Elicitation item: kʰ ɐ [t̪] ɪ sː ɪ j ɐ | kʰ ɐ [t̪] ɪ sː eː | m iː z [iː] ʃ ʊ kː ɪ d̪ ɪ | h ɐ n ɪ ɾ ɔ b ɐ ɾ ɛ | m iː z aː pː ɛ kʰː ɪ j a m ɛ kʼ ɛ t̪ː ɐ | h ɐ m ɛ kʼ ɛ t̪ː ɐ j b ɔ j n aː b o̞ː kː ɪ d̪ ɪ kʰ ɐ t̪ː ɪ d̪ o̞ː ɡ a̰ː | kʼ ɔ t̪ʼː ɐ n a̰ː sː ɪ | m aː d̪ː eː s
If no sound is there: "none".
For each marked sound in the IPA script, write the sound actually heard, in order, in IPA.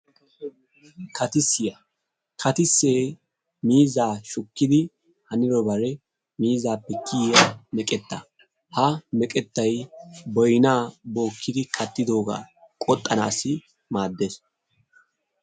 t̪, t̪, aː

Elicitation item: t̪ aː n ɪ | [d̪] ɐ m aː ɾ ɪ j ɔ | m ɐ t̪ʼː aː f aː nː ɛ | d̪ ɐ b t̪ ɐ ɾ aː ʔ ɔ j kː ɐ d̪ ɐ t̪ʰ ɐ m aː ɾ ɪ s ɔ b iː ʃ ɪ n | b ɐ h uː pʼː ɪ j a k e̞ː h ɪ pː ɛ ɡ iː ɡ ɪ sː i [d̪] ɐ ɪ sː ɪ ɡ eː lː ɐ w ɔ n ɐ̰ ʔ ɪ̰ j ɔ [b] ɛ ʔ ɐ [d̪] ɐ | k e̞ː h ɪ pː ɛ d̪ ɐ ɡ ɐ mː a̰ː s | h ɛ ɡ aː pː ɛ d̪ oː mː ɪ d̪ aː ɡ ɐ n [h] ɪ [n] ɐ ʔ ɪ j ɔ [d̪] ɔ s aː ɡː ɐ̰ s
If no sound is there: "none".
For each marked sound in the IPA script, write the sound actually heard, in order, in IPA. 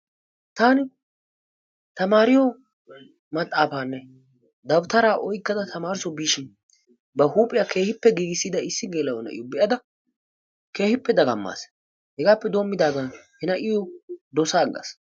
t̪, d̪, b, d̪, h, n, d̪

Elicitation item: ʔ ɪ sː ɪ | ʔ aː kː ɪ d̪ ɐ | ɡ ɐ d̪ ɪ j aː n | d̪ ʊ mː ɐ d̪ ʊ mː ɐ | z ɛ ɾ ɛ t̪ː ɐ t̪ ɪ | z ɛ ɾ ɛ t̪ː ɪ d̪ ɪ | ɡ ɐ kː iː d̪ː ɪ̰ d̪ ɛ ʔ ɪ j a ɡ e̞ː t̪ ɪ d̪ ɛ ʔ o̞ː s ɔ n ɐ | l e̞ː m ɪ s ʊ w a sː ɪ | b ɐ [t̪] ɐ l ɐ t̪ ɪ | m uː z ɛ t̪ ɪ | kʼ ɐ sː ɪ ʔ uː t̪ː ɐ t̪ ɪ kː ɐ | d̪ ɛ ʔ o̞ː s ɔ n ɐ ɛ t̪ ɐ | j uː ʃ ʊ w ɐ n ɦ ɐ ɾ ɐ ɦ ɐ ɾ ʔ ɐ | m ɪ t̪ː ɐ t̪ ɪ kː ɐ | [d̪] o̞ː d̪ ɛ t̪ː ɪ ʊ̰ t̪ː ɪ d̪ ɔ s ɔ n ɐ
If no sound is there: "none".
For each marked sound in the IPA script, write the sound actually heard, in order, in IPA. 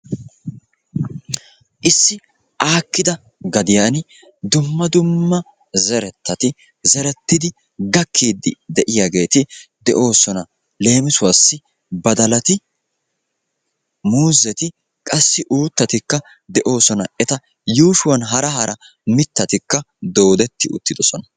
d̪, d̪

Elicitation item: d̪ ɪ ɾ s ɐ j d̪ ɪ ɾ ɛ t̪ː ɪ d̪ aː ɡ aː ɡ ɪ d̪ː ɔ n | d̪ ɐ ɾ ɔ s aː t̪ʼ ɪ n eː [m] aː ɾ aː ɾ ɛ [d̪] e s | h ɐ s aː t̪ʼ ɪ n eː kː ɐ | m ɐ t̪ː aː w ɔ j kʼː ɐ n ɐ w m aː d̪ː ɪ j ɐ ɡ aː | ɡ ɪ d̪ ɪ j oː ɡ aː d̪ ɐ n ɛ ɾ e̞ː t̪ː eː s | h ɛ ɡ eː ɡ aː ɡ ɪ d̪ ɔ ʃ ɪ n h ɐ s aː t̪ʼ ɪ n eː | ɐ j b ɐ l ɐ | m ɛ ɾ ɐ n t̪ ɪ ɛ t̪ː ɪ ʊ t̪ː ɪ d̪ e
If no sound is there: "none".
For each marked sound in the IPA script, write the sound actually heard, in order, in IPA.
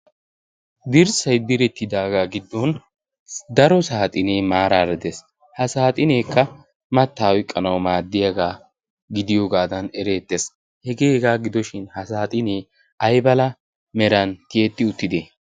m, d̪

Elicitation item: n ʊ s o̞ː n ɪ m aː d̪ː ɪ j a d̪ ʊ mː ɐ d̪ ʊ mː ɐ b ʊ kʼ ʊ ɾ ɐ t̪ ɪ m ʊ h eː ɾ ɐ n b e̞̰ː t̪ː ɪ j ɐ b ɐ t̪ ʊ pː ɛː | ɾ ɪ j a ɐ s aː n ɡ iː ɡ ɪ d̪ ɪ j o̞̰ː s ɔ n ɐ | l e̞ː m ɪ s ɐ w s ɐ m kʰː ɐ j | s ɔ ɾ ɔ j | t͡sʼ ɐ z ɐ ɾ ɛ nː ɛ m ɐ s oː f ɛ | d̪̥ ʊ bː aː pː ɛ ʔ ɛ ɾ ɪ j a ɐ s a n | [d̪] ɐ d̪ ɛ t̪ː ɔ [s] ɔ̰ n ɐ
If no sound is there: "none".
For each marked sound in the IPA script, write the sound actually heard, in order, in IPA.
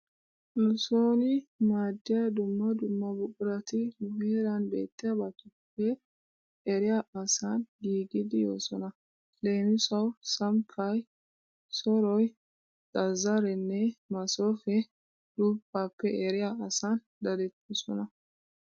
d̪, s

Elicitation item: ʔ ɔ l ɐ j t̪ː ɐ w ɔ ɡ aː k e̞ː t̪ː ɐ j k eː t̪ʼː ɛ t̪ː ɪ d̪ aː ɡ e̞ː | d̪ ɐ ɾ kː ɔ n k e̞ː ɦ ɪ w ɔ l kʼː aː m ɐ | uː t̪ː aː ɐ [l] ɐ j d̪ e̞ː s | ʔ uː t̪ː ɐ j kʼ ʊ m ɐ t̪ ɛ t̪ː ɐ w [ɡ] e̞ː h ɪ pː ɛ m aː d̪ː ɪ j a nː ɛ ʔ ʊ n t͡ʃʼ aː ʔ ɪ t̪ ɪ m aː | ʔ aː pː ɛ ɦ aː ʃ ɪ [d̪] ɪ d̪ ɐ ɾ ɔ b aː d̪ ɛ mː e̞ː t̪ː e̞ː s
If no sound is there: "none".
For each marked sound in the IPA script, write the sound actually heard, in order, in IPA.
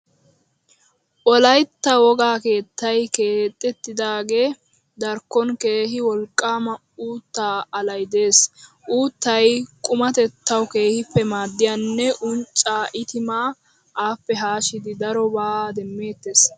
l, k, d̪

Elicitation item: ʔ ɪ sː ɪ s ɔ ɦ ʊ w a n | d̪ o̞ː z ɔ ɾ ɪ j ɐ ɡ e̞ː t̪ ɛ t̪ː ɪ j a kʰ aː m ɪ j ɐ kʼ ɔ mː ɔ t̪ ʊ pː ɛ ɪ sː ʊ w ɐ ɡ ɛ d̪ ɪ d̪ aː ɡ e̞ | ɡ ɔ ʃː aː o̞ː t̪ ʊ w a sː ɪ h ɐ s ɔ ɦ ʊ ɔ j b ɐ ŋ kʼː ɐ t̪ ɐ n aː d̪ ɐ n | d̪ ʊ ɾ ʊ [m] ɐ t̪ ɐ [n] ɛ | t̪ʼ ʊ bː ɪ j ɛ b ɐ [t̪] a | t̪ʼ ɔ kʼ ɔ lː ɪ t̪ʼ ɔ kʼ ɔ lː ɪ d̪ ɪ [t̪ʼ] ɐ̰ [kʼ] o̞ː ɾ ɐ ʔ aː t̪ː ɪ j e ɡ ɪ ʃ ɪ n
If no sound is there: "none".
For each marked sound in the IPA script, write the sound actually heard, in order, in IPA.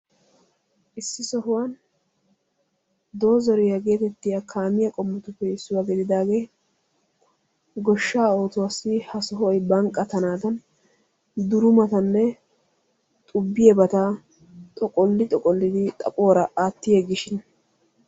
m, nː, t̪, t̪ʼ, pʼ

